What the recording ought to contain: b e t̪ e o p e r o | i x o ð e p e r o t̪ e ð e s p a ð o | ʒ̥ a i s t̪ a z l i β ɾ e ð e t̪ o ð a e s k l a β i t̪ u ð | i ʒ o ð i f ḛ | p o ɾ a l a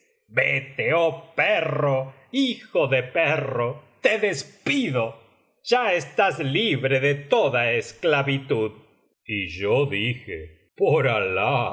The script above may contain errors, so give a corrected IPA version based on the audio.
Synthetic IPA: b e t̪ e o p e r o | i x o ð e p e r o t̪ e ð e s p i ð o | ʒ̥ a e s t̪ a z l i β ɾ e ð e t̪ o ð a e s k l a β i t̪ u ð | i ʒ o ð i x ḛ | p o ɾ a l a

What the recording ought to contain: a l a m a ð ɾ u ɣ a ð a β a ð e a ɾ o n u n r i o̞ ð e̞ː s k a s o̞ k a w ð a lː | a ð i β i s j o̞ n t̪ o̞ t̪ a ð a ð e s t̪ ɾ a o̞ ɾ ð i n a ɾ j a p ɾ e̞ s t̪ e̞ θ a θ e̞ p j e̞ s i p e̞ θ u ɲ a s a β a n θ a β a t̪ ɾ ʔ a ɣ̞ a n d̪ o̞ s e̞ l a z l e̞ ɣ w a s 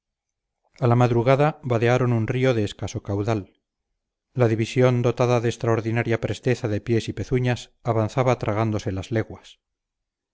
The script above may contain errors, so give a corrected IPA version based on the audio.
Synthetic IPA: a l a m a ð ɾ u ɣ a ð a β a ð e a ɾ o n u n r i o̞ ð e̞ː s k a s o̞ k a w ð a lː | a ð i β i s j o̞ n d̪ o̞ t̪ a ð a ð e s t̪ ɾ a o̞ ɾ ð i n a ɾ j a p ɾ e̞ s t̪ e̞ θ a ð e̞ p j e̞ s i p e̞ θ u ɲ a s a β a n θ a β a t̪ ɾ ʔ a ɣ̞ a n d̪ o̞ s e̞ l a z l e̞ ɣ w a s

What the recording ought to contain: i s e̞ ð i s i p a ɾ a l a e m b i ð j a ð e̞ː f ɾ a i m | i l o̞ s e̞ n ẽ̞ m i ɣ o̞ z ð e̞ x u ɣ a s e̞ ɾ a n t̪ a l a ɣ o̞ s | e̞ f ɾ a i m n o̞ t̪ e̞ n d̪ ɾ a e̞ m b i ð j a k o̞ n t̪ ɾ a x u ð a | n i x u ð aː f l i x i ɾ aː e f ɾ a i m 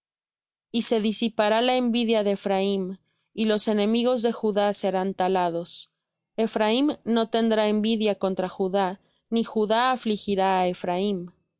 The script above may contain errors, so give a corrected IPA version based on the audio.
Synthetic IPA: i s e̞ ð i s i p a ɾ a l a e m b i ð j a ð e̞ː f ɾ a i m | i l o̞ s e̞ n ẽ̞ m i ɣ o̞ z ð e̞ x u ð a s e̞ ɾ a n t̪ a l a ð o̞ s | e̞ f ɾ a i m n o̞ t̪ e̞ n d̪ ɾ a e̞ m b i ð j a k o̞ n t̪ ɾ a x u ð a | n i x u ð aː f l i x i ɾ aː e f ɾ a i m

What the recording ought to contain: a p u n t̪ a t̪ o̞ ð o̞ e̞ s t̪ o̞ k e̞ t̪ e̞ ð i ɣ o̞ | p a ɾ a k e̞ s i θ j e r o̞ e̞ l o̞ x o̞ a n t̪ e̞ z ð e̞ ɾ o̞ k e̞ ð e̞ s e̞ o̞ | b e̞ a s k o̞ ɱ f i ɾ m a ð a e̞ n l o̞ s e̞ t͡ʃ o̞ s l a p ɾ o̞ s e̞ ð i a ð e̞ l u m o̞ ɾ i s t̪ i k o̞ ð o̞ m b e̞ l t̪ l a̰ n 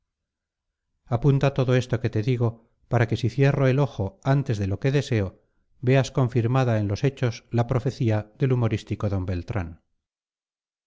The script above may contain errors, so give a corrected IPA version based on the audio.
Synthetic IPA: a p u n t̪ a t̪ o̞ ð o̞ e̞ s t̪ o̞ k e̞ t̪ e̞ ð i ɣ o̞ | p a ɾ a k e̞ s i θ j e r o̞ e̞ l o̞ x o̞ a n t̪ e̞ z ð e̞ l o̞ k e̞ ð e̞ s e̞ o̞ | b e̞ a s k o̞ ɱ f i ɾ m a ð a e̞ n l o̞ s e̞ t͡ʃ o̞ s l a p ɾ o̞ f e̞ θ i a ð e̞ l u m o̞ ɾ i s t̪ i k o̞ ð o̞ m b e̞ l t̪ ɾ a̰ n

